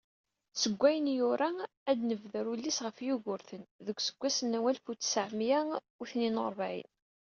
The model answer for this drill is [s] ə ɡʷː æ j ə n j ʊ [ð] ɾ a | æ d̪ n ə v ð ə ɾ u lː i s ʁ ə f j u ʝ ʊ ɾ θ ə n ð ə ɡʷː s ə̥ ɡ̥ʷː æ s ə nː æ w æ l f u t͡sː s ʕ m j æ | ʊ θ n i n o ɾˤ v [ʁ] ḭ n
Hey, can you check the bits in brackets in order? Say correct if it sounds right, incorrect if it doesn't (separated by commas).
correct, incorrect, incorrect